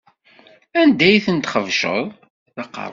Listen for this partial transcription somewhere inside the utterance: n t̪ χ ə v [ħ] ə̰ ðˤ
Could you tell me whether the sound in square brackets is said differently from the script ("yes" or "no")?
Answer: yes